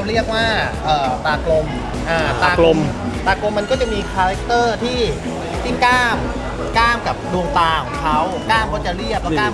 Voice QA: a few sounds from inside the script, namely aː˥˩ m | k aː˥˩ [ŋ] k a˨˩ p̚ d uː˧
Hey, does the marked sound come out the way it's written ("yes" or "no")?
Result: no